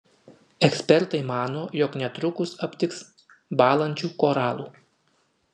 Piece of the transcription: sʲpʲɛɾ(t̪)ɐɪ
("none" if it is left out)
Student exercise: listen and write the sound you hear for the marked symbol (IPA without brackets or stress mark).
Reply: t̪